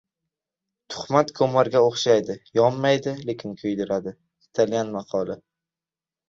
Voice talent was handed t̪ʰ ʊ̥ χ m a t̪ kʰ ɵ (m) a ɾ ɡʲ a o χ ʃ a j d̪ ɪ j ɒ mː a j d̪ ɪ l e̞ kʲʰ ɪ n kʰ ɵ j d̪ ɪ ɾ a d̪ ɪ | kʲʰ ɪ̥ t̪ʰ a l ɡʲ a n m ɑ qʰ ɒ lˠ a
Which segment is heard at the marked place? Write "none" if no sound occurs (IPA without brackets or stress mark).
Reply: m